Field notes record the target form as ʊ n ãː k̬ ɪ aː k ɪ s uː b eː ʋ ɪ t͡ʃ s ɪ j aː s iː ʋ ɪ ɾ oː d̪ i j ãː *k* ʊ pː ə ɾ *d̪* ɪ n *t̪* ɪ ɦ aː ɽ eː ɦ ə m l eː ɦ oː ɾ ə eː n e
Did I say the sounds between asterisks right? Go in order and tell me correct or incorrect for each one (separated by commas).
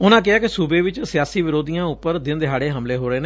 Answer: incorrect, correct, incorrect